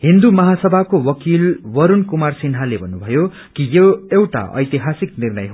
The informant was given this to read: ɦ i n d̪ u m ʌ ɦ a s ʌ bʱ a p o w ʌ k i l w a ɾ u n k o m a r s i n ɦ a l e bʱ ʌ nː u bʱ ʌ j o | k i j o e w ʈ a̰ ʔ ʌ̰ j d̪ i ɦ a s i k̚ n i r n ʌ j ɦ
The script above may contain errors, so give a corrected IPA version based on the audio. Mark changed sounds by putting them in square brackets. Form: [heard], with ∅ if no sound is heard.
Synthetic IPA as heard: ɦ i n d̪ u m ʌ ɦ a s ʌ bʱ a [k] o w ʌ k i l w [ʌ] ɾ u n k [u] m a r s i n ɦ a l e bʱ ʌ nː u bʱ ʌ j o | k i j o e w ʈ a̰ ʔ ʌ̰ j [t̪] i ɦ a s i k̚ n i r n ʌ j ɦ